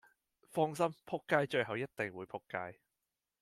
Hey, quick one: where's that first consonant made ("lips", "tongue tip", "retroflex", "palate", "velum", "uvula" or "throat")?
lips